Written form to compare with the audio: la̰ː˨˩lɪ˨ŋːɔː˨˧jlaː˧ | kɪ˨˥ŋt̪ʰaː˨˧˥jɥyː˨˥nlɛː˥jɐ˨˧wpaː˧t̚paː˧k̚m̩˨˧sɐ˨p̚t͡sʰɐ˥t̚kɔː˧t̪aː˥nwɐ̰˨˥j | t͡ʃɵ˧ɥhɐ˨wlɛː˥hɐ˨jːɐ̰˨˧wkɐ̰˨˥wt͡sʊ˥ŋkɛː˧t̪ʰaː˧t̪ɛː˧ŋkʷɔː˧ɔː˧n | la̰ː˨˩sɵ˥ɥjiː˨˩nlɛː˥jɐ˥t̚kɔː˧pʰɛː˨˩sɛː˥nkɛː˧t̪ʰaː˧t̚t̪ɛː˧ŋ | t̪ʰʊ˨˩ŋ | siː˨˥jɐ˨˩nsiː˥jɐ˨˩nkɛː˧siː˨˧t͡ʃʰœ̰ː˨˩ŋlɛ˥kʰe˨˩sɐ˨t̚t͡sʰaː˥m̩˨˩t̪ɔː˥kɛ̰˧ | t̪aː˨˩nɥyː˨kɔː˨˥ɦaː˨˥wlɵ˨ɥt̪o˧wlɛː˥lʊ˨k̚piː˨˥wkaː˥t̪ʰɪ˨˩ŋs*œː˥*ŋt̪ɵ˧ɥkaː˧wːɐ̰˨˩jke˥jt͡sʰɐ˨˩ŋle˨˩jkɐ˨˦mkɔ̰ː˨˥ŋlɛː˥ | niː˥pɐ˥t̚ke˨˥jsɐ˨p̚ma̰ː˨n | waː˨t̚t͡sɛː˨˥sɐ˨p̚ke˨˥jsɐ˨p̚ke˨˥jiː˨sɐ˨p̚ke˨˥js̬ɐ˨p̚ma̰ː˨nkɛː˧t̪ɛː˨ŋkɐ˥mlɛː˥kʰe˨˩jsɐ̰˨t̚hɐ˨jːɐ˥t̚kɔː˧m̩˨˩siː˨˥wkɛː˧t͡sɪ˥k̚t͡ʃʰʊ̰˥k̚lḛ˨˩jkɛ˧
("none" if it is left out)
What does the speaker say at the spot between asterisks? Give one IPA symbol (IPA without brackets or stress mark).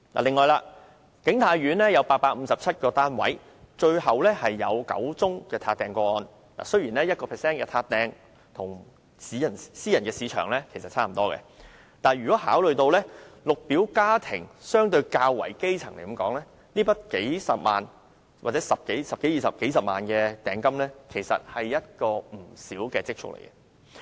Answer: œː˥